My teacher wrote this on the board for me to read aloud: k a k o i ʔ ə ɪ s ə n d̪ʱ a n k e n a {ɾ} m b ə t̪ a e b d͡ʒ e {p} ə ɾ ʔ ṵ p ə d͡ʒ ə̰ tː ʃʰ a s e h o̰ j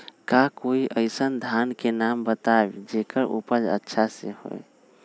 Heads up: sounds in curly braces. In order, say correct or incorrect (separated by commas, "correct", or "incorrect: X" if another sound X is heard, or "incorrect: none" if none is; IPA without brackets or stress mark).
incorrect: none, incorrect: k